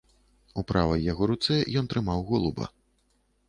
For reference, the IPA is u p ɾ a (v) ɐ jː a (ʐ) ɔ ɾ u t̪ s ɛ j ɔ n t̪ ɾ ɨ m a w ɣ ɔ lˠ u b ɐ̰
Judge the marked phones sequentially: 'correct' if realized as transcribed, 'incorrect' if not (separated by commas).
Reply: correct, incorrect